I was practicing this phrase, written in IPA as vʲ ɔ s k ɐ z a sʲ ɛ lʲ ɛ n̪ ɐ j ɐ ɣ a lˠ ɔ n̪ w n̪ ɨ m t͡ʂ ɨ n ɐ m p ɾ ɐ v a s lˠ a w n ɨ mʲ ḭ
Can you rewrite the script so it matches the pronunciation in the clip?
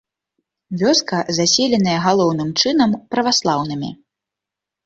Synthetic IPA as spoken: vʲ ɔ s k ɐ z a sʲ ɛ lʲ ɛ n̪ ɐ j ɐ ɣ a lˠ ɔ w n̪ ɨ m t͡ʂ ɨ n ɐ m p ɾ ɐ v a s lˠ a w n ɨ mʲ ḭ